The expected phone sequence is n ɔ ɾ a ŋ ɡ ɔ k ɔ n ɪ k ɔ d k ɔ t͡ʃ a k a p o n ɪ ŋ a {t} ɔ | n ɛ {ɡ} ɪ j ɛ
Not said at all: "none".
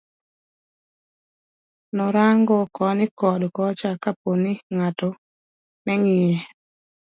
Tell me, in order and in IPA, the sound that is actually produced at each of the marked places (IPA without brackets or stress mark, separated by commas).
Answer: t, ŋ